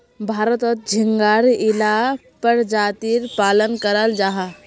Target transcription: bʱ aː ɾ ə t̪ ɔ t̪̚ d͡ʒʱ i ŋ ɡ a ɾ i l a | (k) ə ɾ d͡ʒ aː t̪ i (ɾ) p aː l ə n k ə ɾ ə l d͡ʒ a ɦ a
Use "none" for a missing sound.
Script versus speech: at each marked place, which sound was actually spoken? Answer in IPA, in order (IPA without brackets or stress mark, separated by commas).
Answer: p, ɾ